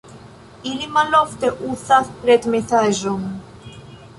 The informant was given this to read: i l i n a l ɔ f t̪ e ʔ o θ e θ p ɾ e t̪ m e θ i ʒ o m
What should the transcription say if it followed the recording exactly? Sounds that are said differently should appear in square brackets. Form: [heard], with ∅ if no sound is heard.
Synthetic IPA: i l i [m] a l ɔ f t̪ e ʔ [u] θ [a] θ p ɾ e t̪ m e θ [a] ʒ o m